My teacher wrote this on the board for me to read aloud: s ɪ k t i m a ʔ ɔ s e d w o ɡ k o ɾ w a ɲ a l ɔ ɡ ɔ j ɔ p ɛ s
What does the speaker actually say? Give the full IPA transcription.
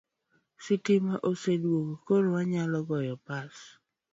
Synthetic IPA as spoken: s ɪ t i m a ʔ o s e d w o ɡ k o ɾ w a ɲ a l ɔ ɡ ɔ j ɔ p a s